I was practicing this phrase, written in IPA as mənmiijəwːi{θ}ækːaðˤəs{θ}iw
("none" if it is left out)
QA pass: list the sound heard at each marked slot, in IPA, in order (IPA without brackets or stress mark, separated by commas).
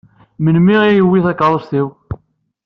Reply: θ, θ